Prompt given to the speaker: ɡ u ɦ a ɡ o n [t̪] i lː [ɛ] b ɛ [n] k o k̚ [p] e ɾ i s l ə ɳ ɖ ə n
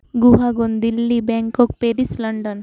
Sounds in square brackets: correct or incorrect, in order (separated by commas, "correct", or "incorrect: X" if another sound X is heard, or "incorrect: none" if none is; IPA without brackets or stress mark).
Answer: incorrect: d̪, incorrect: i, incorrect: ŋ, correct